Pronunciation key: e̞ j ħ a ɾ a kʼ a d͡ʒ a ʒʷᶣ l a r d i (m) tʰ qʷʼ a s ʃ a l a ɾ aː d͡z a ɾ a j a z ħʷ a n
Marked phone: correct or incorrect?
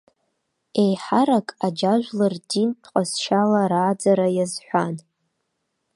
incorrect: n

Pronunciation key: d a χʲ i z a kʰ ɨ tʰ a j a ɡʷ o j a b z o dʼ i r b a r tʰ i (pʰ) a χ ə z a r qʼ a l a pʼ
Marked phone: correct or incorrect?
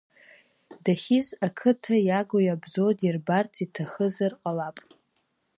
incorrect: tʰ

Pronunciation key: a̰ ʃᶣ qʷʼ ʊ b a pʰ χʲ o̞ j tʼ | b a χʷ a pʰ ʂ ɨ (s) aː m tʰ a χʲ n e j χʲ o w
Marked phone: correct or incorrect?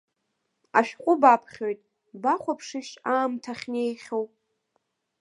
incorrect: ʃ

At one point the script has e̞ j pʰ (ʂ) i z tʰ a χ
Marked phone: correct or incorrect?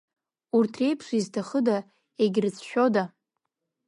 correct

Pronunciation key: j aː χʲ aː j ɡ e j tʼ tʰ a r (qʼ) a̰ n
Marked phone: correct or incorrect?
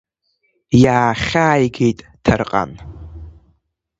correct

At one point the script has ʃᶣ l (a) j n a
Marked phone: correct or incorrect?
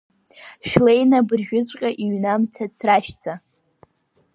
incorrect: e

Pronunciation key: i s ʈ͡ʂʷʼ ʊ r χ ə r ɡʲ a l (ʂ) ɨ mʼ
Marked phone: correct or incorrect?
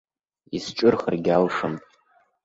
correct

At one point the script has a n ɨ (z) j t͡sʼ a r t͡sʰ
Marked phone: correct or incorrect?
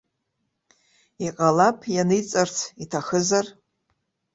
incorrect: none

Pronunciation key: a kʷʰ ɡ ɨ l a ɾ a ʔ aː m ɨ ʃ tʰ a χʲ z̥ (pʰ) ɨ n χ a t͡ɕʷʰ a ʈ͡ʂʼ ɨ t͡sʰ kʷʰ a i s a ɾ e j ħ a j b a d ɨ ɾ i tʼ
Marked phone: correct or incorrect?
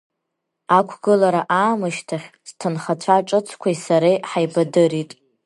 incorrect: tʰ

